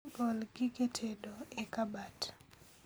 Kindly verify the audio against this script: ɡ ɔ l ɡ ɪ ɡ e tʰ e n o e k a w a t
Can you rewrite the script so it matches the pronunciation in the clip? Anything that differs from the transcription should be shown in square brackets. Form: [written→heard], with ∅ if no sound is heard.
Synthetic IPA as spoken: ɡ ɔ l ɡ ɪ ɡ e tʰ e [n→d] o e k a [w→b] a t

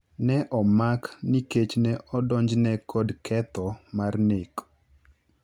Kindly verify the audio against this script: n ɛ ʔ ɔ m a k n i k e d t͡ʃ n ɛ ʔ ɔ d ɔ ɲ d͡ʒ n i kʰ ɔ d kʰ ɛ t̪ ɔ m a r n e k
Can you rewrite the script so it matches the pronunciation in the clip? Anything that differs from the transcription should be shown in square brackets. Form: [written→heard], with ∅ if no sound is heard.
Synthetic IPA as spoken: n ɛ ʔ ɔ m a k n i k e [d→∅] t͡ʃ n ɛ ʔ ɔ d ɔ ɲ d͡ʒ n [i→ɛ] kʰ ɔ d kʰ ɛ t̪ ɔ m a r n e k

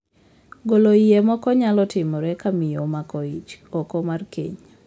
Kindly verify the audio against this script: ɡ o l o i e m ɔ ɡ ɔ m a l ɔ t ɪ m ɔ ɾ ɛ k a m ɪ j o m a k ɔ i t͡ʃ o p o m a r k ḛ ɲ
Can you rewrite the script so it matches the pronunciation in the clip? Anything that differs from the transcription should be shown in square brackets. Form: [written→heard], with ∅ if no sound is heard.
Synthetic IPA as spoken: ɡ o l o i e m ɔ [ɡ→k] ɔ [m→ɲ] a l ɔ t ɪ m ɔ ɾ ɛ k a m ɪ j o m a k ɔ i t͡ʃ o [p→k] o m a r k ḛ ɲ

